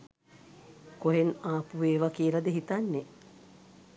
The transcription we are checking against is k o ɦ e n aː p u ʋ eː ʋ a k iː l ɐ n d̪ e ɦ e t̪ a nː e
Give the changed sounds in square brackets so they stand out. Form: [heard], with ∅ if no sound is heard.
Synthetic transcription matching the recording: k o ɦ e n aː p u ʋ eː ʋ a k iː l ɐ [∅] d̪ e ɦ [i] t̪ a nː e